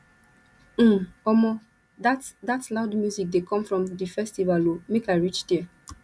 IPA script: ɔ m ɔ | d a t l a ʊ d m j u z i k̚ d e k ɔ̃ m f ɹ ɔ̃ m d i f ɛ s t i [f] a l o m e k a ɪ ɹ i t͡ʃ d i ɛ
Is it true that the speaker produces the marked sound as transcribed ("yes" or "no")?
no